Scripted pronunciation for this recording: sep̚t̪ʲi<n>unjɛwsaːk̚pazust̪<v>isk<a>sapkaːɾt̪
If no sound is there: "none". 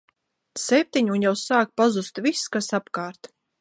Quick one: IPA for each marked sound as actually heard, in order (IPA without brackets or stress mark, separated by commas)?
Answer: ɲ, v, a